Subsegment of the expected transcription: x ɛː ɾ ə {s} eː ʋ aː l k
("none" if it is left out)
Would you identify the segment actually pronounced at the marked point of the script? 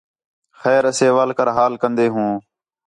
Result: s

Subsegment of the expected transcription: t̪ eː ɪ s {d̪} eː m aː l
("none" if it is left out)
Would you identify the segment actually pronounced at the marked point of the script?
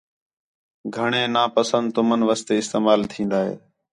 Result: t̪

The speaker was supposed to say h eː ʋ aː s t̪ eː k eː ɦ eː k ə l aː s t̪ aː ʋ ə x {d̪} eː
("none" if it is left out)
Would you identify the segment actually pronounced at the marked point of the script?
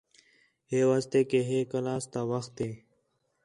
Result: t̪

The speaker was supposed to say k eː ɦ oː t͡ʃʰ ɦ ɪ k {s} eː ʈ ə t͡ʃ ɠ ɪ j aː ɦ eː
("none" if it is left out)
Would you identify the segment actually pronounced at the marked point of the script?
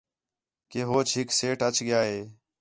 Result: s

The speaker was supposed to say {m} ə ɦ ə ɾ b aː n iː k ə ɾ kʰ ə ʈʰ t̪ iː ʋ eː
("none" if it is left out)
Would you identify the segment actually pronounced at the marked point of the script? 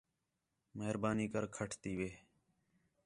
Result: m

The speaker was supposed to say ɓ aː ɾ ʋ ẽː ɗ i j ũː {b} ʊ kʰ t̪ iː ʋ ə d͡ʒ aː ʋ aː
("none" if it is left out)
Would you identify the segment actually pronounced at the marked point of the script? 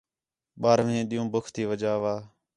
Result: b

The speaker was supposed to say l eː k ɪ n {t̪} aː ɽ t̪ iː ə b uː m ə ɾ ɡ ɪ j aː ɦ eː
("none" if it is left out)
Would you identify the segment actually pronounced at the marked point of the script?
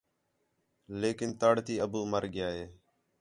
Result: t̪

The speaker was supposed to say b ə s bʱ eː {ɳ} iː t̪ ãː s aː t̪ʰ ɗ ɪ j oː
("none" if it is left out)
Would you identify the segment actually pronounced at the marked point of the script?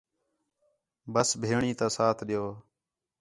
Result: ɳ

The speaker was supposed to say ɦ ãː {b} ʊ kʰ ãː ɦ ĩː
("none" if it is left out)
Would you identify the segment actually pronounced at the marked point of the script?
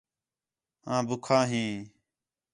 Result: b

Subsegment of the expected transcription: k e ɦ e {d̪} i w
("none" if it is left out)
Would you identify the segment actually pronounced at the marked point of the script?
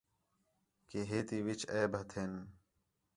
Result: t̪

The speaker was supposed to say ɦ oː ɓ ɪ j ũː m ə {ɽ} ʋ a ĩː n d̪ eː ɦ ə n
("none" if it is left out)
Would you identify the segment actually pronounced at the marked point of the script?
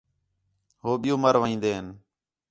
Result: ɾ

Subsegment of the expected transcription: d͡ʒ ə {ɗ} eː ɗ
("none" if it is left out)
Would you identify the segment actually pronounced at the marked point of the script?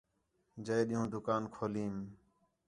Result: none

